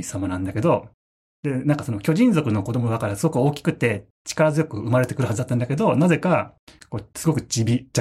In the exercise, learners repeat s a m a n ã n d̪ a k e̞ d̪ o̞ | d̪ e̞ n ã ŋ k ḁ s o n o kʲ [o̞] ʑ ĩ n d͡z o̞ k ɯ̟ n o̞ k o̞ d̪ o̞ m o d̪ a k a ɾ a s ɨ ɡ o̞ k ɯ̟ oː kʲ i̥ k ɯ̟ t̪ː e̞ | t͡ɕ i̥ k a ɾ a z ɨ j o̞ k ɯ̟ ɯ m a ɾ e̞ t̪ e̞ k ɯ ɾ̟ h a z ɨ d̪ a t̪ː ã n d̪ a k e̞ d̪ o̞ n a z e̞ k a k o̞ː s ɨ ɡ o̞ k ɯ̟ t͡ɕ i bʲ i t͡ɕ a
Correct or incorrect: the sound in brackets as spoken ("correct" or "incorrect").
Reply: correct